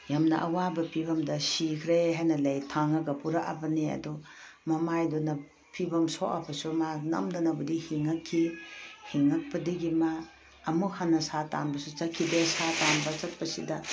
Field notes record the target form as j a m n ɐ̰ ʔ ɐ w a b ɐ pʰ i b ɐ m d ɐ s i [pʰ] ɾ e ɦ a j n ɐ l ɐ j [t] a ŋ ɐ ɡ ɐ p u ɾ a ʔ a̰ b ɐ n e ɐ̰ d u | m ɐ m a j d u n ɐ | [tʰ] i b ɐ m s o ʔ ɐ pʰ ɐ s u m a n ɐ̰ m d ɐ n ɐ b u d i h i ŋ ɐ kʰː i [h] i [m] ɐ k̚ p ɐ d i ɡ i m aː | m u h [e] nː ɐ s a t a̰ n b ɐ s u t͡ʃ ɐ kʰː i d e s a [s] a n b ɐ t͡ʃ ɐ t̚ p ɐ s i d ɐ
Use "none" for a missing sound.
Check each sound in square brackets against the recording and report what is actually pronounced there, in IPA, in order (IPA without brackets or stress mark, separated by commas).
kʰ, tʰ, pʰ, h, ŋ, a, t